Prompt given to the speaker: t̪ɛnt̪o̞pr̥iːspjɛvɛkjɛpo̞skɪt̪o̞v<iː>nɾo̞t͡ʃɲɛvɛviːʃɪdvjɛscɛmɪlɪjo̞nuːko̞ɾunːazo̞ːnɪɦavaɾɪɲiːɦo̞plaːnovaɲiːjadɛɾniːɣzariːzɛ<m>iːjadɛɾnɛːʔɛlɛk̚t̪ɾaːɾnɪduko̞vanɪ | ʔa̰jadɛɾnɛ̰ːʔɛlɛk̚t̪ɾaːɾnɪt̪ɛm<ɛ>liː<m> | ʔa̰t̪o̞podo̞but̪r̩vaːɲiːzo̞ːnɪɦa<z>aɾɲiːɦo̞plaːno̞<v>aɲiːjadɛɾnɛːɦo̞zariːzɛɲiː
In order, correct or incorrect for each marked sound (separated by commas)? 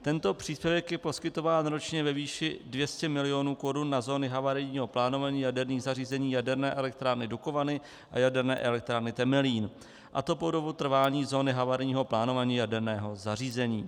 incorrect, incorrect, correct, incorrect, incorrect, correct